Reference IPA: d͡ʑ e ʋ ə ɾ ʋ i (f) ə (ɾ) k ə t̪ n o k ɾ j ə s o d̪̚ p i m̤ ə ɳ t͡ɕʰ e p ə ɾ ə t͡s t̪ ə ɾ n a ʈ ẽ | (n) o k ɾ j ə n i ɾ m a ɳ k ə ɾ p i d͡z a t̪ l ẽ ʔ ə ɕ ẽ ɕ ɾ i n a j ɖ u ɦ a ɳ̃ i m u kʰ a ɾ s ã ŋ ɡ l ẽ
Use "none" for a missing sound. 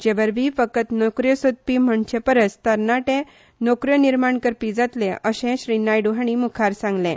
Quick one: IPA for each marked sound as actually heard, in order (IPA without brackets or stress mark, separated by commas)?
f, none, n